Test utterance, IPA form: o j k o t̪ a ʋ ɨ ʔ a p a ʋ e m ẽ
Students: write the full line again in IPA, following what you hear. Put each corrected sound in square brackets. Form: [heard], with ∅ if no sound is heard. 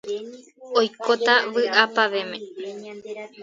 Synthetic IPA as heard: o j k o t̪ a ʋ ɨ ʔ a p a ʋ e m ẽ